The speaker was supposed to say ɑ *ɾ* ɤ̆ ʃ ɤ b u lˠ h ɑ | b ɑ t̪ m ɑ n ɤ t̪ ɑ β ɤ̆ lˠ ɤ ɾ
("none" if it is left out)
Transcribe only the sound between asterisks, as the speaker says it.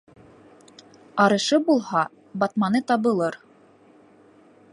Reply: ɾ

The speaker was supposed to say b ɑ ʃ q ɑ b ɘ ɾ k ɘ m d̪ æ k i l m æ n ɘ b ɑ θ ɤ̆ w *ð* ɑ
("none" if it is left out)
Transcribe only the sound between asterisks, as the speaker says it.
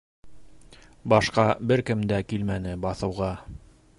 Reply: ʁ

